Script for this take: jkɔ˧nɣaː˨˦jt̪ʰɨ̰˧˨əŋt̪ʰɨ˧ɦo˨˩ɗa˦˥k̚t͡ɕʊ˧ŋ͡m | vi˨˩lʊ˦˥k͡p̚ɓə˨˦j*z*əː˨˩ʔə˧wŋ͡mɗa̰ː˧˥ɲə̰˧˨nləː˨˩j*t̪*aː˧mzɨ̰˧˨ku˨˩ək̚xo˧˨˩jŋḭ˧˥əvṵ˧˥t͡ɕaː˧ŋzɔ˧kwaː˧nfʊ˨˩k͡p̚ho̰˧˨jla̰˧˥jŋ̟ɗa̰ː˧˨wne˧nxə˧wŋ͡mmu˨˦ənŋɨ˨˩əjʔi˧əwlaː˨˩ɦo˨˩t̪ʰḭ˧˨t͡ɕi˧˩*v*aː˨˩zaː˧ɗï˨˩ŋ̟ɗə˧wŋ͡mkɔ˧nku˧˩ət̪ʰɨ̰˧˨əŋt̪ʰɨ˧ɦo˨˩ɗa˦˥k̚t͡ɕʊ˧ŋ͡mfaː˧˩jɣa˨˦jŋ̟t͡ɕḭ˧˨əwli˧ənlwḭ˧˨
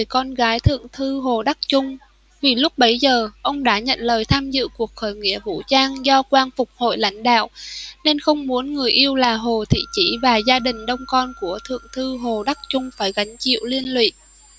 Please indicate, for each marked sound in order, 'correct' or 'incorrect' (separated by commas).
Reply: correct, incorrect, correct